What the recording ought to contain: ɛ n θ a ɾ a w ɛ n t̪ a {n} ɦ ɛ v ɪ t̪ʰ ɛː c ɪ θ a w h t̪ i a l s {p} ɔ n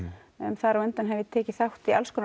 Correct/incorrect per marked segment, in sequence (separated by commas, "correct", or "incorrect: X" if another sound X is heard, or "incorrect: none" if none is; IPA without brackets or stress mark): correct, incorrect: k